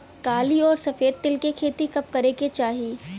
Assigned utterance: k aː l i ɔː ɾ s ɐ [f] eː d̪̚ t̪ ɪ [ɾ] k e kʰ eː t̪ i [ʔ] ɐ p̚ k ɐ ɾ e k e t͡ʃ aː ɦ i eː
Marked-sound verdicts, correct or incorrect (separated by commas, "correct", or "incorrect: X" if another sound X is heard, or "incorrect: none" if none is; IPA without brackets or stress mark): correct, incorrect: l, incorrect: k